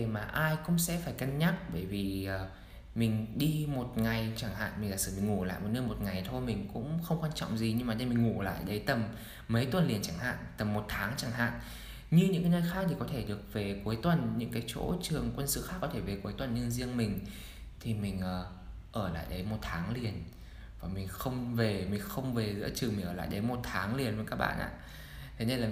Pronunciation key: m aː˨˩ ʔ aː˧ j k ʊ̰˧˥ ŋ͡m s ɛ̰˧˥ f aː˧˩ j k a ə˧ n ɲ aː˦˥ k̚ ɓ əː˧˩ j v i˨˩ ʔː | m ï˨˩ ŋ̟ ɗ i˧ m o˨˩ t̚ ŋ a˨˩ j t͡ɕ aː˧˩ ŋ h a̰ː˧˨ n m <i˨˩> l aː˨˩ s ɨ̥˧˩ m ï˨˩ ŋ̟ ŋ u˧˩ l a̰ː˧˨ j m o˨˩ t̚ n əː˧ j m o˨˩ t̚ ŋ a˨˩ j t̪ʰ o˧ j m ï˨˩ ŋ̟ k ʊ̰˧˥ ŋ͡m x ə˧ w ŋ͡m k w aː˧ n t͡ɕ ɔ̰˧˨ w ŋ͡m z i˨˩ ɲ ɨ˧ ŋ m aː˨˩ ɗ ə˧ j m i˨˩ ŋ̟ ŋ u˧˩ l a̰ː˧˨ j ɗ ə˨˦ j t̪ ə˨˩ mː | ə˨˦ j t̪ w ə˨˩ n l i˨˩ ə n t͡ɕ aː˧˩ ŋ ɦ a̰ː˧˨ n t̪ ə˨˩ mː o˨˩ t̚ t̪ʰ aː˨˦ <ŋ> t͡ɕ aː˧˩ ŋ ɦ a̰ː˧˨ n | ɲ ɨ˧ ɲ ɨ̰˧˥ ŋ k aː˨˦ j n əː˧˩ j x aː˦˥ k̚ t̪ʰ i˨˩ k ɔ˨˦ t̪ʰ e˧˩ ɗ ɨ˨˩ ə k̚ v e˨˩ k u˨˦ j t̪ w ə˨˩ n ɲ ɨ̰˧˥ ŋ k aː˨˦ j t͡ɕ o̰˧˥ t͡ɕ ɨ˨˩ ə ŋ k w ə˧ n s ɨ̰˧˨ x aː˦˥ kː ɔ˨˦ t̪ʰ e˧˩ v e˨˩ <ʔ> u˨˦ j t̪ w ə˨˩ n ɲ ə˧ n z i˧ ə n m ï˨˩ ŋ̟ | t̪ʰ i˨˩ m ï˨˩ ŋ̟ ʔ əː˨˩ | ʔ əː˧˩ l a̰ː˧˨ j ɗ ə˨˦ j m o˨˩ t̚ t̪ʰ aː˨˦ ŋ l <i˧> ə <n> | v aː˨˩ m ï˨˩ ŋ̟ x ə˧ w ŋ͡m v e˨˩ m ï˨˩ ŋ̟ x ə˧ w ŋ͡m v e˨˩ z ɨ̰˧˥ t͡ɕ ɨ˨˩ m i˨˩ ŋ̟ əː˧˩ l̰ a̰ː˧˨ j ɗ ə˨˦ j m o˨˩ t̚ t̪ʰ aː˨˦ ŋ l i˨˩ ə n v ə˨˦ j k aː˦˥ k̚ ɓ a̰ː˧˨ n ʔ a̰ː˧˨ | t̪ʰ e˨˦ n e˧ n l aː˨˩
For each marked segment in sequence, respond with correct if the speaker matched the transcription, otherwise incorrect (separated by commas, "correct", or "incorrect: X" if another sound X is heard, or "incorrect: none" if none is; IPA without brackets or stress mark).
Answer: correct, correct, incorrect: k, incorrect: i˨˩, correct